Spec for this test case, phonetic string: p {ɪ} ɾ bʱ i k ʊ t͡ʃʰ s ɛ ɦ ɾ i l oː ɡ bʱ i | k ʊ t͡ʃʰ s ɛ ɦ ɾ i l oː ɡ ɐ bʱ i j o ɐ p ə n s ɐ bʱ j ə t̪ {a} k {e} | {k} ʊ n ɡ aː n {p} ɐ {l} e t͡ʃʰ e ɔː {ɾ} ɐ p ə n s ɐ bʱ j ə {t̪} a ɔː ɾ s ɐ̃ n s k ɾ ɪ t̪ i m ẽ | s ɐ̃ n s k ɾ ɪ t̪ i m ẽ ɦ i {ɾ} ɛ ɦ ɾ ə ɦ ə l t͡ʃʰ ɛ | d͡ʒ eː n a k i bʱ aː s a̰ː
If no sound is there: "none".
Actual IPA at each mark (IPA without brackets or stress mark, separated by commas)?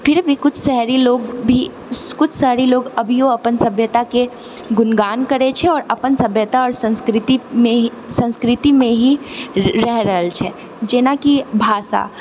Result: ɪ, a, e, ɡ, k, ɾ, ɾ, t̪, ɾ